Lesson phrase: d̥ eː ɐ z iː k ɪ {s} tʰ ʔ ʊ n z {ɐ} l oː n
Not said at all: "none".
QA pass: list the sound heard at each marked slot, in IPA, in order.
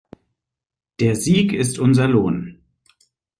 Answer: s, ɐ

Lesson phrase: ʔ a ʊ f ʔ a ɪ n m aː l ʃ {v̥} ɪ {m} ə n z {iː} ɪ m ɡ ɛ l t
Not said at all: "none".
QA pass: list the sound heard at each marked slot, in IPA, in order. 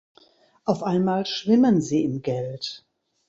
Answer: v̥, m, iː

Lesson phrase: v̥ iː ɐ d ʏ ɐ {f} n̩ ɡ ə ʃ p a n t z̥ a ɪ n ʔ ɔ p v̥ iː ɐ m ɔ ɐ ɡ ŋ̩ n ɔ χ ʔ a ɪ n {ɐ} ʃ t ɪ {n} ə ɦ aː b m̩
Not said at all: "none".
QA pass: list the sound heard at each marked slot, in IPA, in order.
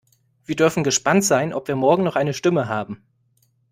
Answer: f, ə, m

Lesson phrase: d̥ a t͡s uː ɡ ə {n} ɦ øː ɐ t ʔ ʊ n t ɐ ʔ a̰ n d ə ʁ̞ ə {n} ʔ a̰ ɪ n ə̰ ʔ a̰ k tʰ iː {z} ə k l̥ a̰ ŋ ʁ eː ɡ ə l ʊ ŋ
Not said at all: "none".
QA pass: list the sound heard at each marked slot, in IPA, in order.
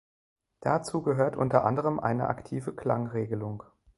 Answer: none, m, v

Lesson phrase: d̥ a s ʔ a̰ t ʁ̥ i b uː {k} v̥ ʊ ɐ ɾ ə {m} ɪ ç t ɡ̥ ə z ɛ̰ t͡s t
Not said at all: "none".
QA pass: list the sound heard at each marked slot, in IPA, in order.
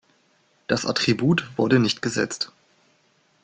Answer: t, n

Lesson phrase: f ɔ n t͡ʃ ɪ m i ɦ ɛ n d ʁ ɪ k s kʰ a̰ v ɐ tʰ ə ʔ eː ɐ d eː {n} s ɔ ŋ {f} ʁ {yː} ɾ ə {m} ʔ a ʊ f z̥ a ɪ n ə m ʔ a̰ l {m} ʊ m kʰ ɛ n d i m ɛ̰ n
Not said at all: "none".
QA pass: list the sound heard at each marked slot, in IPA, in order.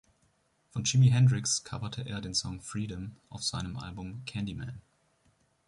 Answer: n, f, iː, m, b

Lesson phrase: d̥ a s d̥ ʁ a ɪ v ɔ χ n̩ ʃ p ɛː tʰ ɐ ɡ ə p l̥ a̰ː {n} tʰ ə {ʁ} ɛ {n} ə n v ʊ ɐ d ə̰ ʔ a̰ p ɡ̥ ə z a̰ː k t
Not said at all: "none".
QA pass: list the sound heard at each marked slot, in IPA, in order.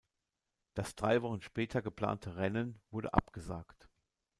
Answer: n, ʁ, n

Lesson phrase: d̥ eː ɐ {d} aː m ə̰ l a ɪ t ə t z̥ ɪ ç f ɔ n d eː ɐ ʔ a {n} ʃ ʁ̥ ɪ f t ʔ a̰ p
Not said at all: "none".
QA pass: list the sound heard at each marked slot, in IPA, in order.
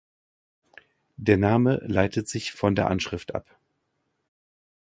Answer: n, n

